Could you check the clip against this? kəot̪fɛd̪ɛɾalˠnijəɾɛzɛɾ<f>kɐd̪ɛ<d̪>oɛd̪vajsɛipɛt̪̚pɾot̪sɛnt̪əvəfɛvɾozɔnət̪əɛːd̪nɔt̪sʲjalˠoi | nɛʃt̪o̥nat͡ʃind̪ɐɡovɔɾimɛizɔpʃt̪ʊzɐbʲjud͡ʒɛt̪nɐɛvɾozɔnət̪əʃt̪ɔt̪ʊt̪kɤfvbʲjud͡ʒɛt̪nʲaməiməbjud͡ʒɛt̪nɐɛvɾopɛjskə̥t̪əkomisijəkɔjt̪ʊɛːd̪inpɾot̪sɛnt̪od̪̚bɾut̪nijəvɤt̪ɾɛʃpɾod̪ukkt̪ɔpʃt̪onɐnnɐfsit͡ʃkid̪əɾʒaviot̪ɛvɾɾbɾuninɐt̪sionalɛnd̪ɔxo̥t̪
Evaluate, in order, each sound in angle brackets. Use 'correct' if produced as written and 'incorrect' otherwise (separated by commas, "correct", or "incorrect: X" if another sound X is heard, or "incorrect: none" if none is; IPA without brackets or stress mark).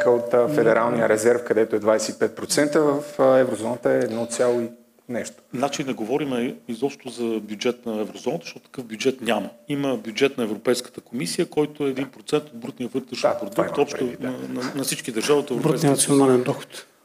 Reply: correct, incorrect: t̪